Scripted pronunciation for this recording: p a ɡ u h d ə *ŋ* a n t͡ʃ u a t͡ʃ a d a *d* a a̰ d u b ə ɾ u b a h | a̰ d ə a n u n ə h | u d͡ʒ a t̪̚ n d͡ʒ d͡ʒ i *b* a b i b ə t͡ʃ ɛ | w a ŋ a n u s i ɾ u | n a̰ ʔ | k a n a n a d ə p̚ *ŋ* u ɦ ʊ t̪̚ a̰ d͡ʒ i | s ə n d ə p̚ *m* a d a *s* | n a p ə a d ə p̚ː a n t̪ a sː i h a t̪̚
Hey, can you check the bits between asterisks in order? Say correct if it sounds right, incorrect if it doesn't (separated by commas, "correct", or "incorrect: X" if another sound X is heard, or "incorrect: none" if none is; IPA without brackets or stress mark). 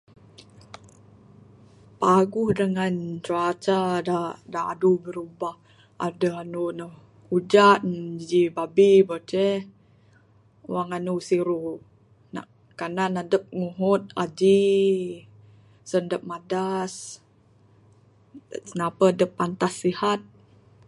correct, correct, correct, correct, correct, correct